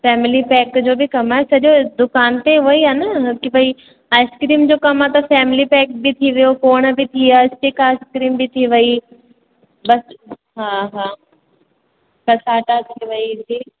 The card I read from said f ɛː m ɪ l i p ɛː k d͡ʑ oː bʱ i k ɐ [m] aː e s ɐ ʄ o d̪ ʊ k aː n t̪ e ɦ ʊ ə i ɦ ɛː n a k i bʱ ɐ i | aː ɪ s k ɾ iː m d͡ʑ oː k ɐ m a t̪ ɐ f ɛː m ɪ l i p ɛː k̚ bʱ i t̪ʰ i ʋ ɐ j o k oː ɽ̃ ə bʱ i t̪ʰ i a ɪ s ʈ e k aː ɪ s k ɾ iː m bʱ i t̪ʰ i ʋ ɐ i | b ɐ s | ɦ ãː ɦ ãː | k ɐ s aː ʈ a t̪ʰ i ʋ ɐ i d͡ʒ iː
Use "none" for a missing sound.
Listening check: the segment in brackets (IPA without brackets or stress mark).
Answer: m